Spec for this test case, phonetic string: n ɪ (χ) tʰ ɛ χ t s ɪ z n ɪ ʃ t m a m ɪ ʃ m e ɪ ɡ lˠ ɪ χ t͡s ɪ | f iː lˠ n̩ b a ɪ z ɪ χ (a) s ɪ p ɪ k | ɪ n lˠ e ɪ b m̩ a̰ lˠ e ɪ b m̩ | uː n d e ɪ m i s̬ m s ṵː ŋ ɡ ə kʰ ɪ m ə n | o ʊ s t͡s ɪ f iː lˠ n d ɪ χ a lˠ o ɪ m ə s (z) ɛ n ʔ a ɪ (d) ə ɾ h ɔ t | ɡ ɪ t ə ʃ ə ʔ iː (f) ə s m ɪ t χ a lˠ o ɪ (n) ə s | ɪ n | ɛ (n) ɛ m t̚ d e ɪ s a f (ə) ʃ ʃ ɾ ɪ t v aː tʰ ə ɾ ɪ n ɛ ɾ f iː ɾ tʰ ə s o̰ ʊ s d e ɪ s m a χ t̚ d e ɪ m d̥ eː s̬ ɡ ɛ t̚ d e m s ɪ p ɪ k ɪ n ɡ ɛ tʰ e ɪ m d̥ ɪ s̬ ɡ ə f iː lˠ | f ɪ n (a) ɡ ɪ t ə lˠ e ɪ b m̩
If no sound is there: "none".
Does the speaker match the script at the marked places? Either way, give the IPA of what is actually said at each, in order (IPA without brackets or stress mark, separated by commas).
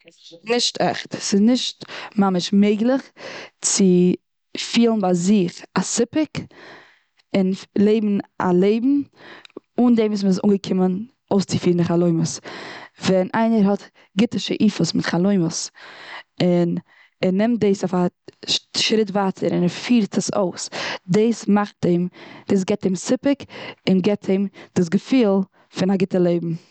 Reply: ʃ, a, v, n, f, m, n, a, a